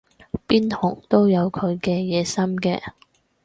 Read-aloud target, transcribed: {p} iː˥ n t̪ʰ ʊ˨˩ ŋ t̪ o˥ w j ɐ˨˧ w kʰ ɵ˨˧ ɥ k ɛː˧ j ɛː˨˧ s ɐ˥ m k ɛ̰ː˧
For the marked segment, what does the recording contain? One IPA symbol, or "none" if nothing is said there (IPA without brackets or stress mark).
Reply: p